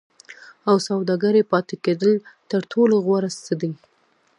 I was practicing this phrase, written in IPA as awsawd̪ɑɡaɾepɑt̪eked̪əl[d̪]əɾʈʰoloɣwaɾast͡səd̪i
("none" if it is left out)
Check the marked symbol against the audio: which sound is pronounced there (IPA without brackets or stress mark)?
t̪